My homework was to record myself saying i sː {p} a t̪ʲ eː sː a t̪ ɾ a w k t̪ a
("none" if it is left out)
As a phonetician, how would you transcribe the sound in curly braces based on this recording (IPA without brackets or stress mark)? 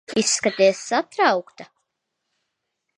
k